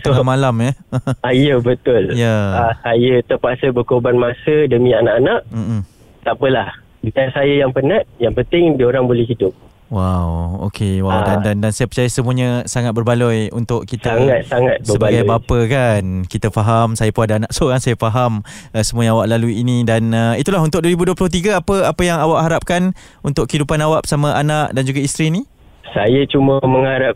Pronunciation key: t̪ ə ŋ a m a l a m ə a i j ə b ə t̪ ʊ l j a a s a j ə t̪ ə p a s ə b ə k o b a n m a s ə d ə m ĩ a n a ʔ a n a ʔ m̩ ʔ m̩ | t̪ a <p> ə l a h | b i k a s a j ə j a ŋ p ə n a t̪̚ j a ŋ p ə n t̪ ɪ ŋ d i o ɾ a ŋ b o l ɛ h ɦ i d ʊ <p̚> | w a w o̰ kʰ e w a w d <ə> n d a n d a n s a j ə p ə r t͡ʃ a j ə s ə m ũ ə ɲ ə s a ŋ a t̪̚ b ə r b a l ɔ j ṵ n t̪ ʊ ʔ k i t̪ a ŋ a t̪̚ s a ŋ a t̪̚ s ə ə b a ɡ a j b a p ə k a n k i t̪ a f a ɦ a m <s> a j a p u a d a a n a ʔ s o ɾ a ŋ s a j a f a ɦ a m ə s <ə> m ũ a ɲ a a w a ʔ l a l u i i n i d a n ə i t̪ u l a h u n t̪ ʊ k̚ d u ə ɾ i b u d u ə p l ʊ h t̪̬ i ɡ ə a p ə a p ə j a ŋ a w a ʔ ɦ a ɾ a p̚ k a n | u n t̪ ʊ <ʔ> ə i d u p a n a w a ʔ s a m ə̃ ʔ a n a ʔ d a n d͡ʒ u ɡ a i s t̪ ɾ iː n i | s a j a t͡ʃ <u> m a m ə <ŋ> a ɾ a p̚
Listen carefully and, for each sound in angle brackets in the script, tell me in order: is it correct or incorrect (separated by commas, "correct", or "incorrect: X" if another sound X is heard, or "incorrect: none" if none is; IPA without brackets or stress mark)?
correct, correct, incorrect: a, correct, correct, incorrect: k, correct, correct